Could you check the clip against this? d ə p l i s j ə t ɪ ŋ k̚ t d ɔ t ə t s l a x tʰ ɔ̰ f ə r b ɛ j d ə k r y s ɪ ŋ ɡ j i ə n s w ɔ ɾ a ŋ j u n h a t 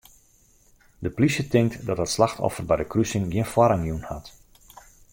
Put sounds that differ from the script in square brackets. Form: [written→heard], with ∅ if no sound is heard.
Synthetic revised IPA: d ə p l i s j ə t ɪ ŋ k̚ t d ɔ t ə t s l a x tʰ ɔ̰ f ə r b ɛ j d ə k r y s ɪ ŋ ɡ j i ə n [s→f] w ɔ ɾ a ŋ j u n h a t